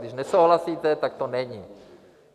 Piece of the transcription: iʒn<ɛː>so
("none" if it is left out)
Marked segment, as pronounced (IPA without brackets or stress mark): ɛ